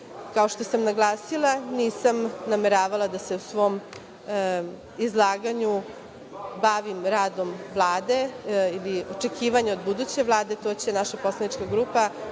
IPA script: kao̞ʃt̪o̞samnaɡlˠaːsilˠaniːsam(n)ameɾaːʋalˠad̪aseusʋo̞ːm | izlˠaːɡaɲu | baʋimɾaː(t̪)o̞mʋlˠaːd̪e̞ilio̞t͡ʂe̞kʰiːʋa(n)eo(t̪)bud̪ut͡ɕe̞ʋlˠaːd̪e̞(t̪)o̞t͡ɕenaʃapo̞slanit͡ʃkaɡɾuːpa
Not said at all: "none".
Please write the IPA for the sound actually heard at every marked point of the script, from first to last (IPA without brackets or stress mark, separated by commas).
n, d̪, ɲ, d̪, t̪